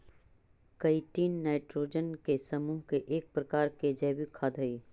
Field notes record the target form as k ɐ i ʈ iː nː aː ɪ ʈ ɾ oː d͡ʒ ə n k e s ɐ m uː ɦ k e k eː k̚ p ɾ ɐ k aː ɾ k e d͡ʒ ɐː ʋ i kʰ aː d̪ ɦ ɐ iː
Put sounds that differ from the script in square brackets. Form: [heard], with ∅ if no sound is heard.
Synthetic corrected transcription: k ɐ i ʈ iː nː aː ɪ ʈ ɾ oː d͡ʒ ə n k e s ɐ m uː ɦ k e [ʔ] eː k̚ p ɾ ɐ k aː ɾ k e d͡ʒ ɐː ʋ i kʰ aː d̪ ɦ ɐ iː